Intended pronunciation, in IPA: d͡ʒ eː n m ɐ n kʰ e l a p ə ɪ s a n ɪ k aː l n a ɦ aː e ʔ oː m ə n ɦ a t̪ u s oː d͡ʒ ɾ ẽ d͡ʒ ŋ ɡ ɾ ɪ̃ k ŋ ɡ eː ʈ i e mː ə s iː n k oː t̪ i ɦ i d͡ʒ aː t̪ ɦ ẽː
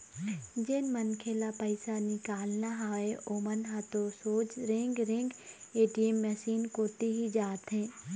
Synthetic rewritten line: d͡ʒ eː n m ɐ n kʰ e l a p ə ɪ s a n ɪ k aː l n a ɦ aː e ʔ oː m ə n ɦ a t̪ o s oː d͡ʒ ɾ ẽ ŋ ɡ ɾ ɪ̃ ŋ ɡ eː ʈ i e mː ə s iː n k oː t̪ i ɦ i d͡ʒ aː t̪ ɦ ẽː